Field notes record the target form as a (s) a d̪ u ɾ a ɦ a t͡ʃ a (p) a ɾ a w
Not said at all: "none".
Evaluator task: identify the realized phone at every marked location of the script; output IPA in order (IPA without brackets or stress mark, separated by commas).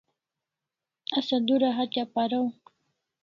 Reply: s, p